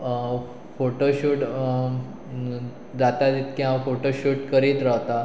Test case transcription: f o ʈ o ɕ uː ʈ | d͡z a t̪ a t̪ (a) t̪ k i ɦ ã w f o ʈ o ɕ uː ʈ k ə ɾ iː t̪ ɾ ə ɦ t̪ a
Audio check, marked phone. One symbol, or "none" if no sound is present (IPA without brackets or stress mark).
i